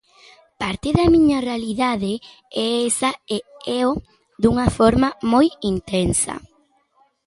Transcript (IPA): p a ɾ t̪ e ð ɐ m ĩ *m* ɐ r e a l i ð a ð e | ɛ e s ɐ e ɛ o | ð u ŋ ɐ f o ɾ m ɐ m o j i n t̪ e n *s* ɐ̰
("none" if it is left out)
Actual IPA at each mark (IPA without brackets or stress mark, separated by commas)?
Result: ɲ, s